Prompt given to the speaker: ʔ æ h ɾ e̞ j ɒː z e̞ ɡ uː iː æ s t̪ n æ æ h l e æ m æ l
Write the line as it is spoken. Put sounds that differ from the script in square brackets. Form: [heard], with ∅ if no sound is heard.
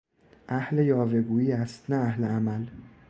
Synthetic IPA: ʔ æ h [l] e̞ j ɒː [v] e̞ ɡ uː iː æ s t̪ n æ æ h l e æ m æ l